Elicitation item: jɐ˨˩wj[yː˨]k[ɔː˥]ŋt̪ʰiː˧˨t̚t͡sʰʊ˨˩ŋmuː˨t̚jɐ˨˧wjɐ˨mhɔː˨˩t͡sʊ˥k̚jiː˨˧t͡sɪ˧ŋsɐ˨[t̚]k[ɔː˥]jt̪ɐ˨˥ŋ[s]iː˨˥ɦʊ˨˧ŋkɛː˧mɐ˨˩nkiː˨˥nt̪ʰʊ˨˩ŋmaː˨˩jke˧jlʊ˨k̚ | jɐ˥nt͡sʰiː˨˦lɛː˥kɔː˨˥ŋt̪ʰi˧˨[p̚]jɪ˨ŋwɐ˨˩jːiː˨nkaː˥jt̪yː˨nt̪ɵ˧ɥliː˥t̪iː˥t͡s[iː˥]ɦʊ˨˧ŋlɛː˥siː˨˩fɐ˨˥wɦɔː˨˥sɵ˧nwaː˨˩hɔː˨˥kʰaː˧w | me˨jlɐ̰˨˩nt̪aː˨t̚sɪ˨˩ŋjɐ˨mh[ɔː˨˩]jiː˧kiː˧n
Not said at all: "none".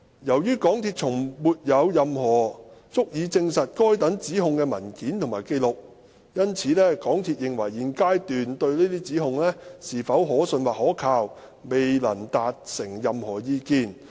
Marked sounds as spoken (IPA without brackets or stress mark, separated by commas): yː˥, ɔː˨˥, t̚, ɔː˥, t͡s, t̚, iː˨˥, ɔː˨˩